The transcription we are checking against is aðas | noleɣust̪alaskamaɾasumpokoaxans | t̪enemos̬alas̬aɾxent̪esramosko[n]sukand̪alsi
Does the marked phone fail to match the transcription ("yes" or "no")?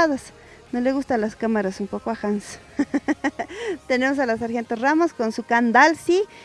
no